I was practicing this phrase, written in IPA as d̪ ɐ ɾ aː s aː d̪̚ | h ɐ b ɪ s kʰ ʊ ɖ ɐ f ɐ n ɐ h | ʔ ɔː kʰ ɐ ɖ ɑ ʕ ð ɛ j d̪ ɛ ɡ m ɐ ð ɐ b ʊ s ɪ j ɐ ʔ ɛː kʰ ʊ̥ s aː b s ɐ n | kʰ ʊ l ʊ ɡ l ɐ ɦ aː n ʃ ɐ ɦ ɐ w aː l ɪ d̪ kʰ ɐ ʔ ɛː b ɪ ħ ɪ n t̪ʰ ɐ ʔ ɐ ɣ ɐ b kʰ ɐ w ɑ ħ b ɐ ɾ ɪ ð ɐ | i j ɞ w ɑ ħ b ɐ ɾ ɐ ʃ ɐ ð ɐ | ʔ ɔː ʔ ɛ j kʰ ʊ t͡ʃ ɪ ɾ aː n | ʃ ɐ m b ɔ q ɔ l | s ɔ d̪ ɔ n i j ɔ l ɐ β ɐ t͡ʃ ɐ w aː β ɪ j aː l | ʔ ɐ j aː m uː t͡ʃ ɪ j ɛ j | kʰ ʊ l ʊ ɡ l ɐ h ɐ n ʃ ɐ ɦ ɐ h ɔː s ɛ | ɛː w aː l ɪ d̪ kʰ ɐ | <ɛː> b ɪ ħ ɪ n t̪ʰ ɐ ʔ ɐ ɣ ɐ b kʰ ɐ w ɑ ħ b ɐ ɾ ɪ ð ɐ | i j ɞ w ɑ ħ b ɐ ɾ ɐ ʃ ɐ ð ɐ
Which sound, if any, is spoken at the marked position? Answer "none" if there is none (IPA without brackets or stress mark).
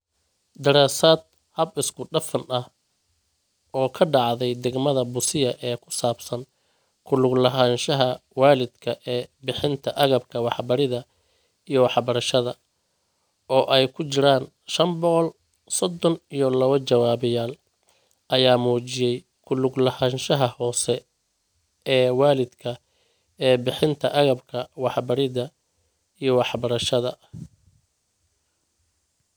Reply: ɛː